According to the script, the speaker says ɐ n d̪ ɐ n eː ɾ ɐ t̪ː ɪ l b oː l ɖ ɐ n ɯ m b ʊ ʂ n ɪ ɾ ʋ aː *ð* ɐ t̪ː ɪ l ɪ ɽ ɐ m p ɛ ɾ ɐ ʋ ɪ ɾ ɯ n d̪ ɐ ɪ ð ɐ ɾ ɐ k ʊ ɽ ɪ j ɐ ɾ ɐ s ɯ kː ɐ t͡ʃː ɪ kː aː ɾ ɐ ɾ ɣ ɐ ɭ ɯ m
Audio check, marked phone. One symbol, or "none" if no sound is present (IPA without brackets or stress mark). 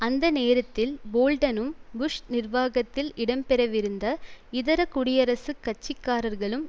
ɣ